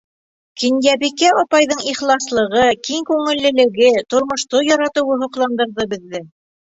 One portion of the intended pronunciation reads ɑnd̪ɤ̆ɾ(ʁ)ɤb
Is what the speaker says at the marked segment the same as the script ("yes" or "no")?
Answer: no